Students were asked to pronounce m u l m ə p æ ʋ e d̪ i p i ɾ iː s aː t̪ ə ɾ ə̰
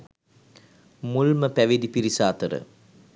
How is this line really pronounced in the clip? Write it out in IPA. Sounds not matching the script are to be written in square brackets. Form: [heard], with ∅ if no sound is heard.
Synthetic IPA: m u l m ə p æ ʋ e d̪ i p i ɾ [i] s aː t̪ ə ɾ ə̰